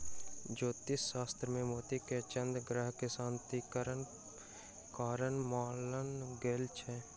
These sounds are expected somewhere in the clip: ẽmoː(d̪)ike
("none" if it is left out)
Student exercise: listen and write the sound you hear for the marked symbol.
t̪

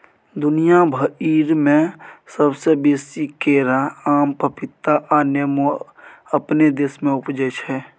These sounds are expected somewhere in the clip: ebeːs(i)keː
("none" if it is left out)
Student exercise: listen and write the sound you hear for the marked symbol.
i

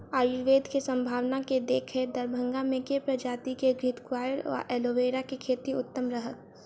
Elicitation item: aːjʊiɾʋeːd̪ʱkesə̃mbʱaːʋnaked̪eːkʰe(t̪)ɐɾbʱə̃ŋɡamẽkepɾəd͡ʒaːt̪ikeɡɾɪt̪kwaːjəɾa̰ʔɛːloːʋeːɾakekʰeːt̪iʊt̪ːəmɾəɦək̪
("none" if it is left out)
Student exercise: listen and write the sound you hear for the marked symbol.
d̪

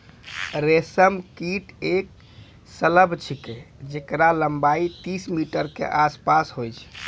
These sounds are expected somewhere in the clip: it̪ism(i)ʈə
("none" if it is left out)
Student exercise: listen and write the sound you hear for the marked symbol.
i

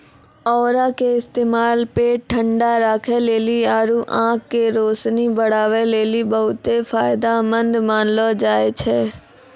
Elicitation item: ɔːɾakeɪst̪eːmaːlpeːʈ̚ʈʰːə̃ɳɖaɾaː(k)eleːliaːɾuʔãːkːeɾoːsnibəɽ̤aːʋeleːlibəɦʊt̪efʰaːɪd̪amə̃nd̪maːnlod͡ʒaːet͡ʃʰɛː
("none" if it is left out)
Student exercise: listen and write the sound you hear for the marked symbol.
kʰ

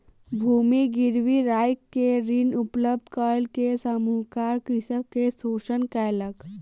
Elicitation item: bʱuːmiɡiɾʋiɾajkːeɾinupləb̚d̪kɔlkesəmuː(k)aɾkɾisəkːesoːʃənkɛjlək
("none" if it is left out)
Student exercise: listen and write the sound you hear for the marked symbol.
k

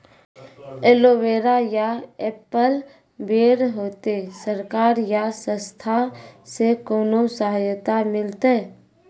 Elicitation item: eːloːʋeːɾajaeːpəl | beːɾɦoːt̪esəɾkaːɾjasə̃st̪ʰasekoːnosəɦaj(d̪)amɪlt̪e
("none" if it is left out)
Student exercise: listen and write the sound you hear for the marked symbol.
t̪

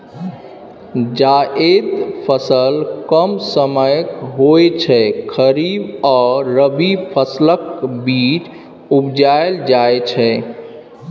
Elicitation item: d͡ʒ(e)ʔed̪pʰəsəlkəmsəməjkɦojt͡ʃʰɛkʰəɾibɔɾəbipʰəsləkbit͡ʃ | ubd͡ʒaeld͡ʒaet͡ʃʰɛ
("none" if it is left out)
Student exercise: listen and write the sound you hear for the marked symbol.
a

